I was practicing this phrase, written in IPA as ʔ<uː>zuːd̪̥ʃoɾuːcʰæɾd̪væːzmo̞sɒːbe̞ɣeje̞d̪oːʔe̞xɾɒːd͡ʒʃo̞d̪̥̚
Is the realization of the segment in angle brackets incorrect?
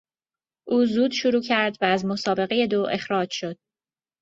no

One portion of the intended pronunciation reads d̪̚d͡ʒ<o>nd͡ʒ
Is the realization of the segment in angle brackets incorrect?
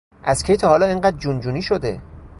yes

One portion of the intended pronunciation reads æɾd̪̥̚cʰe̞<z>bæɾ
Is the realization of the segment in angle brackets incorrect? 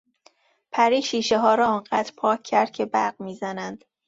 yes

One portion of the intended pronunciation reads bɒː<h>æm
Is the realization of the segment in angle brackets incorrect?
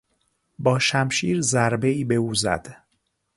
yes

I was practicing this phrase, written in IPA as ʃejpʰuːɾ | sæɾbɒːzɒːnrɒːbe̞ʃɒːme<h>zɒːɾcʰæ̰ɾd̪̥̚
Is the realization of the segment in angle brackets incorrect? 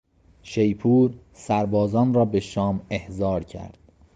no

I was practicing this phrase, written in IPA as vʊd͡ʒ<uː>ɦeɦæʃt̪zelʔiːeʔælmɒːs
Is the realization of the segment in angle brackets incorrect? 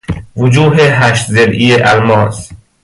no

